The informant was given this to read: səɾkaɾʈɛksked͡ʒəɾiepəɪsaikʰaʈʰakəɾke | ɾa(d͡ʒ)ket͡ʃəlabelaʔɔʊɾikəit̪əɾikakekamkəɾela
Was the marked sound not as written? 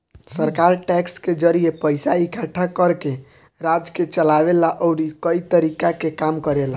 no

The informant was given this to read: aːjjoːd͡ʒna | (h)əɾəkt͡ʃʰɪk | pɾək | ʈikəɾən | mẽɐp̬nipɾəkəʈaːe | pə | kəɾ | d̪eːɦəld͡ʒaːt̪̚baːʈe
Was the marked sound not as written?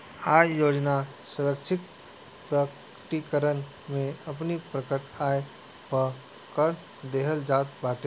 yes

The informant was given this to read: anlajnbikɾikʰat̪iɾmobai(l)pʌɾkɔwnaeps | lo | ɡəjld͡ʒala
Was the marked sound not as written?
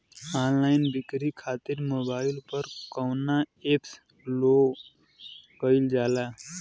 no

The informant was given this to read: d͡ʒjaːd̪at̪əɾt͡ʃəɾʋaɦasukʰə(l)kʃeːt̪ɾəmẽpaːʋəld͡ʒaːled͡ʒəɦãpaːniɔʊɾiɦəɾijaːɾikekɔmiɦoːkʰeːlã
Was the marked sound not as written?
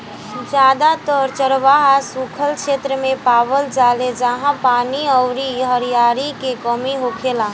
no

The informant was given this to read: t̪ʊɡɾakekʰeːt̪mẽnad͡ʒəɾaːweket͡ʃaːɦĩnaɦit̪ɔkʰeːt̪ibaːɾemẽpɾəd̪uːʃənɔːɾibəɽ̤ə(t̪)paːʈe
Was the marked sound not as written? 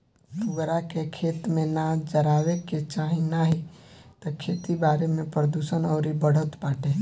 no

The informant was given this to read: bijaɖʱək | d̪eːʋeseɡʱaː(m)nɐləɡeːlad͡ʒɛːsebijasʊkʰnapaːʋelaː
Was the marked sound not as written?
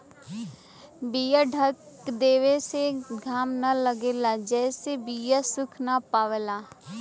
no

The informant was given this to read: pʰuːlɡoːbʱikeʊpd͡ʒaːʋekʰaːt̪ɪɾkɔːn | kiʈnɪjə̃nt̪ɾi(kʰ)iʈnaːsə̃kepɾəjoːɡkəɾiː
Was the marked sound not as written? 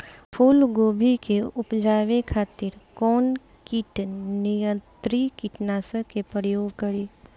yes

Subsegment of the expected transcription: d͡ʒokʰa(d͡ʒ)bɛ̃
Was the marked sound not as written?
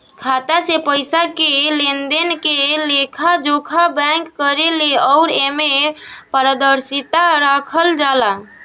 yes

